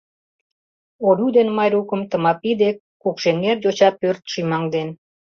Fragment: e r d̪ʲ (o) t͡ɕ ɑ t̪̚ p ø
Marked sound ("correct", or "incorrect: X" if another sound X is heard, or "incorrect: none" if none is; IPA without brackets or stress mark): correct